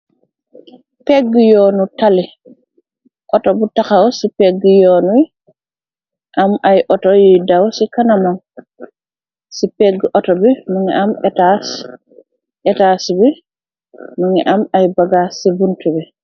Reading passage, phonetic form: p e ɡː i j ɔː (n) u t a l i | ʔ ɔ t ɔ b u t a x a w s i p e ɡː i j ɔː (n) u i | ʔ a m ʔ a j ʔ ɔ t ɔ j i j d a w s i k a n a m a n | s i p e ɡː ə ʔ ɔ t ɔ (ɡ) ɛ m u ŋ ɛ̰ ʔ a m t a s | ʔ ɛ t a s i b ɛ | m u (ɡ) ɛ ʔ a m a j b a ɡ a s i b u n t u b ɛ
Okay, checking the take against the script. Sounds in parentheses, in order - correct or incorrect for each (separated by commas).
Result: correct, correct, incorrect, incorrect